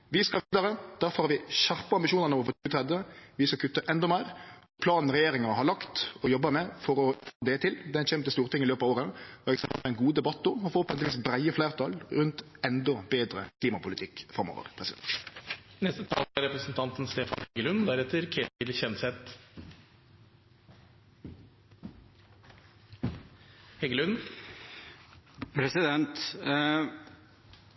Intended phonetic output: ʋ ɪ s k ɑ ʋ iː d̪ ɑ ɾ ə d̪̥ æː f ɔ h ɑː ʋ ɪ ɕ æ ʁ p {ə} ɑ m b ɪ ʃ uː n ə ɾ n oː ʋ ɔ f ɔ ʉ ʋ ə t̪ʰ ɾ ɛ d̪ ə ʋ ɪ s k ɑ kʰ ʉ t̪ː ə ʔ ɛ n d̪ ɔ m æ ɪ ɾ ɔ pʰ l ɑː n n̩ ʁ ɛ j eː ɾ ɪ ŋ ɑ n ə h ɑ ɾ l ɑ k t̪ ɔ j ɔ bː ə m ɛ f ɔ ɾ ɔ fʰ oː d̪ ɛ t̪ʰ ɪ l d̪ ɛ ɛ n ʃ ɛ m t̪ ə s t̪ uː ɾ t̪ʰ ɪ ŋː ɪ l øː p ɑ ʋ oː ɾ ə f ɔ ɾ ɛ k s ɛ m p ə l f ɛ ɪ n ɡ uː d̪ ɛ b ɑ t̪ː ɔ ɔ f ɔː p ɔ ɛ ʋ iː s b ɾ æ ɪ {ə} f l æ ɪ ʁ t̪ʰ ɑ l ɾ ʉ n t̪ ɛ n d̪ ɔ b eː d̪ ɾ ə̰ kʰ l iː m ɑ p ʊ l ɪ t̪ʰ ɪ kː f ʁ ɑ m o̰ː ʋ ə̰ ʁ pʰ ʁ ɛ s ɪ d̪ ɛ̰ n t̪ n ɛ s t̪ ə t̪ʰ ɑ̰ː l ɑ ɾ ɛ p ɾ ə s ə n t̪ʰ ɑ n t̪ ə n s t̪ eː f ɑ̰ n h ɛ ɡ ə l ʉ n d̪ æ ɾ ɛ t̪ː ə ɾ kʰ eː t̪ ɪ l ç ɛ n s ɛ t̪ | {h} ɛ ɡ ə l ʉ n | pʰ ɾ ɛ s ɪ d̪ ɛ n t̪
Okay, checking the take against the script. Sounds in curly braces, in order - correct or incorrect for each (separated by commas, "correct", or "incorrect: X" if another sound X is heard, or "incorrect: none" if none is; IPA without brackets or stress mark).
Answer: correct, correct, correct